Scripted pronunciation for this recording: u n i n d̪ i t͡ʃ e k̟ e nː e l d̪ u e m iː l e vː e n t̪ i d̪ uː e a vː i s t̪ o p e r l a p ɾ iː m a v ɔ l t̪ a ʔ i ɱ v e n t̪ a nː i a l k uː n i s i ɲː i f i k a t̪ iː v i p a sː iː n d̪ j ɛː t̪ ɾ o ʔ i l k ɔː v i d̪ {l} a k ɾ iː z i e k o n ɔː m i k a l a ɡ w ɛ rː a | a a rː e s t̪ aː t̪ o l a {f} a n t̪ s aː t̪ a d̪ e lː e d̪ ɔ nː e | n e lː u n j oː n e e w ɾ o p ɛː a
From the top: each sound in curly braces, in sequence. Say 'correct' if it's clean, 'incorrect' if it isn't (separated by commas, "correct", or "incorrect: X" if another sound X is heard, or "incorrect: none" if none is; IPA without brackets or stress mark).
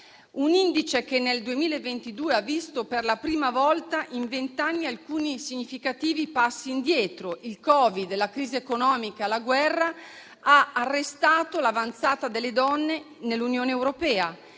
correct, incorrect: v